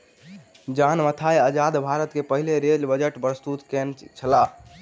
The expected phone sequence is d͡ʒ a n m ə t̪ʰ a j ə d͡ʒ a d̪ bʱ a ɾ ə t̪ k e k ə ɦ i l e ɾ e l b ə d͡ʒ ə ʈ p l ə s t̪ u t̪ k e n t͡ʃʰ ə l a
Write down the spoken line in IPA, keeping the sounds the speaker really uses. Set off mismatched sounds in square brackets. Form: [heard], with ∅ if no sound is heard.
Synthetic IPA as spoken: d͡ʒ a n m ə t̪ʰ a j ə d͡ʒ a d̪ bʱ a ɾ ə t̪ k e [p] ə ɦ i l e ɾ e l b ə d͡ʒ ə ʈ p [ɾ] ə s t̪ u t̪ k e n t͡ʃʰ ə l a